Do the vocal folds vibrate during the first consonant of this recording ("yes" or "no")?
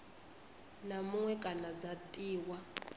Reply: yes